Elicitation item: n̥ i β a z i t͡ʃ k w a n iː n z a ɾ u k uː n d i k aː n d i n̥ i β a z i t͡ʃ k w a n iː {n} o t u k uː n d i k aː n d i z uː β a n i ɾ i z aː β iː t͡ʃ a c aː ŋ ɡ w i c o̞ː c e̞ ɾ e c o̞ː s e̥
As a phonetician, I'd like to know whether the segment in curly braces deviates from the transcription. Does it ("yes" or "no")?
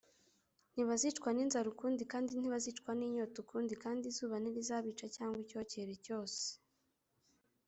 yes